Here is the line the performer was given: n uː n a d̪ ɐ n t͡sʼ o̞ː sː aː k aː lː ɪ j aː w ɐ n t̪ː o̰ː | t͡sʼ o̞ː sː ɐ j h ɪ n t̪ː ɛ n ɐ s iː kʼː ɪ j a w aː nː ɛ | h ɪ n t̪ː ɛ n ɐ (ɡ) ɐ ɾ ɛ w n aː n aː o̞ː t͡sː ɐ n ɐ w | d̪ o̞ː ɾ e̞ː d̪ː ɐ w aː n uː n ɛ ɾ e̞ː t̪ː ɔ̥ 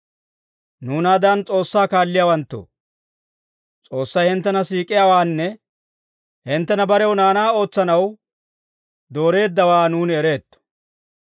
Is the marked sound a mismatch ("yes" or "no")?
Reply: yes